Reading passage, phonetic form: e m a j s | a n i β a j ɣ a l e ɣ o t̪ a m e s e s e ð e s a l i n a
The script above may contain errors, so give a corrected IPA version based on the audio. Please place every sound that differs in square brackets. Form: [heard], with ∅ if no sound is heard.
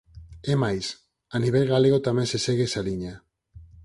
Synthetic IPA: e m a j s | a n i β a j ɣ a l e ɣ o t̪ a m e s e s e [ɣ] e s a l i [ɲ] a